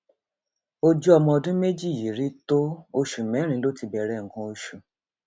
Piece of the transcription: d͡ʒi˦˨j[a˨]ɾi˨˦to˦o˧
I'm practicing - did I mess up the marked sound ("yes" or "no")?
yes